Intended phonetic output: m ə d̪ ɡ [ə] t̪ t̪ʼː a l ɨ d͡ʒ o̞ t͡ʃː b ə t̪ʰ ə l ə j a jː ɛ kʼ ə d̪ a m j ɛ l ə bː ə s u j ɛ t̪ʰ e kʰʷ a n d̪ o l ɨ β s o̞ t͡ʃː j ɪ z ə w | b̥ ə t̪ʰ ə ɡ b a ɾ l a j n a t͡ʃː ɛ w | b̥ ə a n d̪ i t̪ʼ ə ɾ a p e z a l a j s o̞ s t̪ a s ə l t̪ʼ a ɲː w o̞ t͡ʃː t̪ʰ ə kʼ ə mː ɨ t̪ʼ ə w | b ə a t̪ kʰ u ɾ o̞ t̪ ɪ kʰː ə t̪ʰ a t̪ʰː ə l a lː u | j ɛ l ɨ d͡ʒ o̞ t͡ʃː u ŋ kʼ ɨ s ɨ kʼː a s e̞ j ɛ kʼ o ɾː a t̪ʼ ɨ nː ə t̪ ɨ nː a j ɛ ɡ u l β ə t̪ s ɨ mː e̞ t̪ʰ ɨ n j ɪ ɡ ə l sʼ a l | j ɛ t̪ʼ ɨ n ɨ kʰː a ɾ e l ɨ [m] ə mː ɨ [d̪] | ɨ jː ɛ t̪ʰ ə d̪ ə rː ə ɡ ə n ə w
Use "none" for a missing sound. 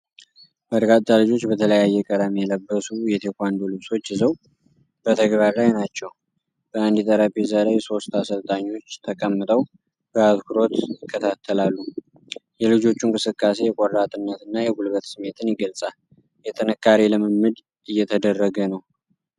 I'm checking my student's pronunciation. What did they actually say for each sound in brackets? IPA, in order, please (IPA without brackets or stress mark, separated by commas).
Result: a, m, d̪